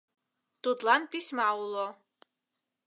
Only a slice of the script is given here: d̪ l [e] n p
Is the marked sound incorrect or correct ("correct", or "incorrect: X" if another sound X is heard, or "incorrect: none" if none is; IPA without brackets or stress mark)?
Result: incorrect: a